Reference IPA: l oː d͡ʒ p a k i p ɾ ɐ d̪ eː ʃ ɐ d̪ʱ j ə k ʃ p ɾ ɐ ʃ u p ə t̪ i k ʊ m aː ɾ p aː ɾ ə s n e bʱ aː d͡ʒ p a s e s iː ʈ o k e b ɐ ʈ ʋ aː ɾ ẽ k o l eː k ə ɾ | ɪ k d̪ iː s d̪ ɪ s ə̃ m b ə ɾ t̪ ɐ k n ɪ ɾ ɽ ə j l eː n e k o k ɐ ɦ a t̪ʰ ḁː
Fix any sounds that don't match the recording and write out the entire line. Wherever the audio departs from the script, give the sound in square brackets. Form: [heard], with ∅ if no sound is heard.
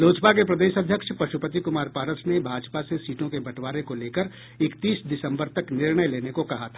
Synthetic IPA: l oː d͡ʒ p a k [e] p ɾ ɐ d̪ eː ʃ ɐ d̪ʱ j ə k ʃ p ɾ ɐ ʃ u p ə t̪ i k ʊ m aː ɾ p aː ɾ ə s n e bʱ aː d͡ʒ p a s e s iː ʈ [õ] k e b ɐ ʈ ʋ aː ɾ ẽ k o l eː k ə ɾ | ɪ k [t̪] iː s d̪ ɪ s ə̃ m b ə ɾ t̪ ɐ k n ɪ ɾ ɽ ə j l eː n e k o k ɐ ɦ a t̪ʰ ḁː